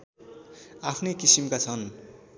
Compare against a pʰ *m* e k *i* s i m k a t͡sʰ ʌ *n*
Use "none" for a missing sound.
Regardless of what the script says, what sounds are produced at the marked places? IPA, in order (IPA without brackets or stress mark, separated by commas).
n, i, n